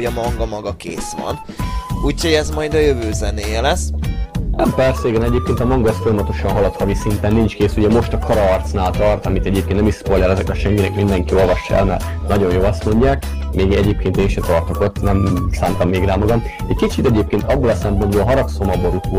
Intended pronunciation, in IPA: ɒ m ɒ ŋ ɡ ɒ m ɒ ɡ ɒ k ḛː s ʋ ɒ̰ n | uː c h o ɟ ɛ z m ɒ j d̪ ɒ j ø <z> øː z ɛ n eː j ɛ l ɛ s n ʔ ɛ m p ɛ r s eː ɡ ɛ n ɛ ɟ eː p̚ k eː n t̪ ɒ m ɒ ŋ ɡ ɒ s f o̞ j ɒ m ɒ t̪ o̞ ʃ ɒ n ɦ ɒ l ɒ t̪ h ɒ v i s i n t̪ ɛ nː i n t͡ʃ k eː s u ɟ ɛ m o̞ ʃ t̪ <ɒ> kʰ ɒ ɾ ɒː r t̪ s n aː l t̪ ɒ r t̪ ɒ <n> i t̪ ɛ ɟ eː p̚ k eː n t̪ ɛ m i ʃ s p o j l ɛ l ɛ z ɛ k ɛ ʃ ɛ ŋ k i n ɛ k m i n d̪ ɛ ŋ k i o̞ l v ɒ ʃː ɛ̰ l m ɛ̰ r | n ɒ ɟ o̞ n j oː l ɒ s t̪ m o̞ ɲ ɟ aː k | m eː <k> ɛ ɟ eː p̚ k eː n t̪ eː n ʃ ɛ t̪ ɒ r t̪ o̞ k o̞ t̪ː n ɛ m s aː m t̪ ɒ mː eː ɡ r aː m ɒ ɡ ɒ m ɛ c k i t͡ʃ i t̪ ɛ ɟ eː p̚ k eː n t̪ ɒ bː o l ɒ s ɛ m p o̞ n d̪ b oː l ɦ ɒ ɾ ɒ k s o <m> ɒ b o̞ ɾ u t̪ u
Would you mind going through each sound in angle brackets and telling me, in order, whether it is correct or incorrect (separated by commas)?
incorrect, correct, incorrect, incorrect, correct